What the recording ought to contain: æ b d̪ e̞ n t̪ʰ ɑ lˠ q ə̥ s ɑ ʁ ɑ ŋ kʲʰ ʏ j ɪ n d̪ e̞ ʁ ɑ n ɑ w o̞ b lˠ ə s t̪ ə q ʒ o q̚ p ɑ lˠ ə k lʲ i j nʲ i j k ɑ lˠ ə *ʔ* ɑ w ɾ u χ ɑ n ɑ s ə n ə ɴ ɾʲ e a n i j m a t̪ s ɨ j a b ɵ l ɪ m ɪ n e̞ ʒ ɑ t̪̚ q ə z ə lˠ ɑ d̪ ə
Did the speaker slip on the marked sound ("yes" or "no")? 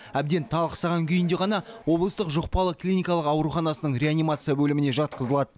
yes